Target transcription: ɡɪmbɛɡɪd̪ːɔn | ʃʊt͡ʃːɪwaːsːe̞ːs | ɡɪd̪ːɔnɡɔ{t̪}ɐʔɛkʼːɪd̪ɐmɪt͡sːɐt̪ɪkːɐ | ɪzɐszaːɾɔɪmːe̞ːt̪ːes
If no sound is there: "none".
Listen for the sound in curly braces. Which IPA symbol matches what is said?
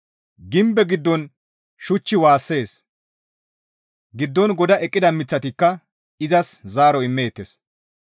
d̪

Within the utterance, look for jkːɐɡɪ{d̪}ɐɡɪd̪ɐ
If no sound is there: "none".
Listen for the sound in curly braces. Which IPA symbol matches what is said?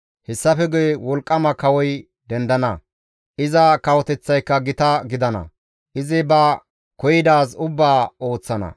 t̪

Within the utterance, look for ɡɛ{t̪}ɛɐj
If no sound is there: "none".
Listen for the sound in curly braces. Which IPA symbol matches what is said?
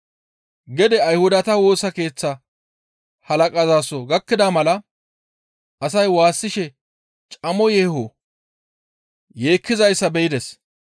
d̪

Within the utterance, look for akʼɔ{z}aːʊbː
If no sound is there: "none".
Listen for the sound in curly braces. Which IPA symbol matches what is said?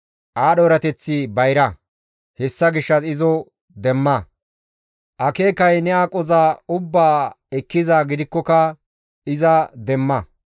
z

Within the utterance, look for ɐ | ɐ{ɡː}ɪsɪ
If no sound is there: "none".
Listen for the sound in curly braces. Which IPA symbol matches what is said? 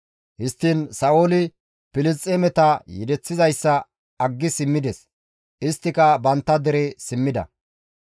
ɡː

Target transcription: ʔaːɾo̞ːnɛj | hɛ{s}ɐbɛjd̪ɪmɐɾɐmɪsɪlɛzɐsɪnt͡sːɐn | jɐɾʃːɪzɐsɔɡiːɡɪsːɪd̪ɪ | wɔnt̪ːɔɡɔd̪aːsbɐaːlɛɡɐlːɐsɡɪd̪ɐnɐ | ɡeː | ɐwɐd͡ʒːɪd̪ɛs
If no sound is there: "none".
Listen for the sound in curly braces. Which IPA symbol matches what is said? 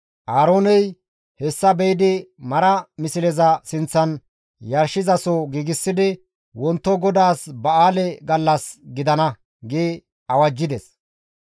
sː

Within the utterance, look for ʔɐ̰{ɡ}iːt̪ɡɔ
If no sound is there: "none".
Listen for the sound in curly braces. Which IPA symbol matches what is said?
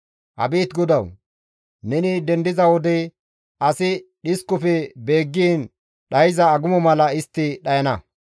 b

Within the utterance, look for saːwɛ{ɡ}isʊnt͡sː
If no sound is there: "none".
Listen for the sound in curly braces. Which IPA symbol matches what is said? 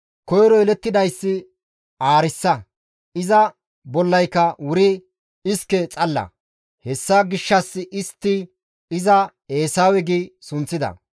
ɡ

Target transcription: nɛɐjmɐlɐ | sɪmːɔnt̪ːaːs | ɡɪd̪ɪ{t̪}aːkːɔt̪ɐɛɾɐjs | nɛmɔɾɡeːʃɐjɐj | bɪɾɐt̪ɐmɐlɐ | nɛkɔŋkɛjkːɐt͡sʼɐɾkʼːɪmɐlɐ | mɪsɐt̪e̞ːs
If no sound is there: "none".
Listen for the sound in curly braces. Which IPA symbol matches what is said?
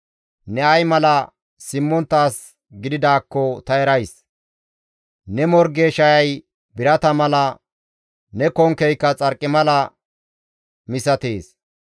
d̪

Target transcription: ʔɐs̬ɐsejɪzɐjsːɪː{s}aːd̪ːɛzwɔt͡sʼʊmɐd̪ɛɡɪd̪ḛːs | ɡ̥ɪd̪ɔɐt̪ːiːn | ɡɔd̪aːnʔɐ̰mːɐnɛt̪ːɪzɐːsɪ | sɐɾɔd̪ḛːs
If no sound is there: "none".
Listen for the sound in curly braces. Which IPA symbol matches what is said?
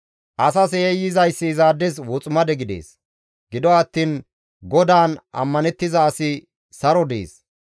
z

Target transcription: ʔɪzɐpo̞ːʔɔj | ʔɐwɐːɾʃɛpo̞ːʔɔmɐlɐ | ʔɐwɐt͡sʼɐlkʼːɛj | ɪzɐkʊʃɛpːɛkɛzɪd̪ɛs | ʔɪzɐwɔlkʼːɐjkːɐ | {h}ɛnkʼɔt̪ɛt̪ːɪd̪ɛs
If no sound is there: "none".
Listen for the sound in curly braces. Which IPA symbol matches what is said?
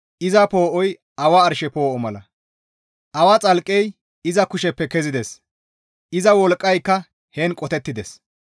h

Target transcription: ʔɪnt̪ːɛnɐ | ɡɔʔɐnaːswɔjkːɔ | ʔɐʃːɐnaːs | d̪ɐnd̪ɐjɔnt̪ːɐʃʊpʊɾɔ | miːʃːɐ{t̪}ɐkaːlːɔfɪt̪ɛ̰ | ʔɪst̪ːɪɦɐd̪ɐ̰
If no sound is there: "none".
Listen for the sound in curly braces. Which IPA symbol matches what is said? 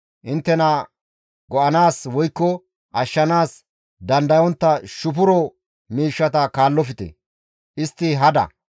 t̪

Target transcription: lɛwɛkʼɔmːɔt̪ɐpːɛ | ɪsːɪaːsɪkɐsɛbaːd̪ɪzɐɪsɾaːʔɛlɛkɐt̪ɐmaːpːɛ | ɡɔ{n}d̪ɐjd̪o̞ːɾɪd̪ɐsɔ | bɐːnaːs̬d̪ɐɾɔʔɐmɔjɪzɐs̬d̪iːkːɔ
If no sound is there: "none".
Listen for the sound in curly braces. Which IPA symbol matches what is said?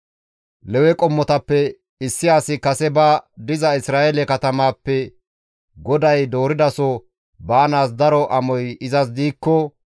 none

